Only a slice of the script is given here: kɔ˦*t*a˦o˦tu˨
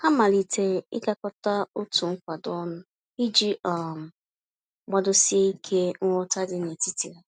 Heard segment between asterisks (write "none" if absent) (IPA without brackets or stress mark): t